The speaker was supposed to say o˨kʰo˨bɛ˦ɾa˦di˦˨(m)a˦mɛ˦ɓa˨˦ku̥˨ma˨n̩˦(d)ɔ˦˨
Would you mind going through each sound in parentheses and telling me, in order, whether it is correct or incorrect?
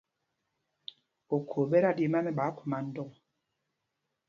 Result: correct, correct

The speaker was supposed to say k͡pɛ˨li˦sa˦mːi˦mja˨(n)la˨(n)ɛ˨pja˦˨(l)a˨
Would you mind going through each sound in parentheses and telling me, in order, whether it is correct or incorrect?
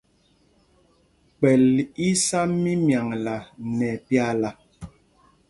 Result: incorrect, correct, correct

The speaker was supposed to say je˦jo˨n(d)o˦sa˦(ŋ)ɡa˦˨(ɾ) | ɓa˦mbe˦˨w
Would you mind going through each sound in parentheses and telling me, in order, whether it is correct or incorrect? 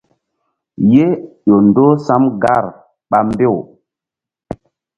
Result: correct, incorrect, correct

